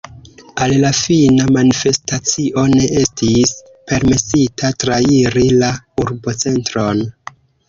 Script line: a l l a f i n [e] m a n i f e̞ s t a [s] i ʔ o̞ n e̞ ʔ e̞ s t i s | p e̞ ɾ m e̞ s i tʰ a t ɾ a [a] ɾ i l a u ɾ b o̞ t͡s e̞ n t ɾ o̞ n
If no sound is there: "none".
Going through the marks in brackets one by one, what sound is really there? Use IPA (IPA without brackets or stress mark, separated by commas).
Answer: a, t͡s, i